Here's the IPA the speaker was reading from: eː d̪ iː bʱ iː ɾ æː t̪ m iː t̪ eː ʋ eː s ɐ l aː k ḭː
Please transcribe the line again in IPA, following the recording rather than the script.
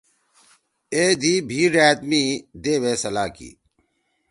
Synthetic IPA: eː d̪ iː bʱ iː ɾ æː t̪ m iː d̪ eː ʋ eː s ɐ l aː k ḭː